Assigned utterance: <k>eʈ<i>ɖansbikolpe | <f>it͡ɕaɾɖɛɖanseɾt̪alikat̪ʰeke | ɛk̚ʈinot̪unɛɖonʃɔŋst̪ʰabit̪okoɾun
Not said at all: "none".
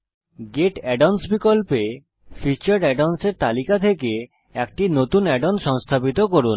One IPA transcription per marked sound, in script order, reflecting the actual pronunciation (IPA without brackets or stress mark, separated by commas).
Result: ɡ, ɛ, f